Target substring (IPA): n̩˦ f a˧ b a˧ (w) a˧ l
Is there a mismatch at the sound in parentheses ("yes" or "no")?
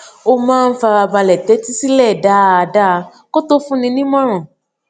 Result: yes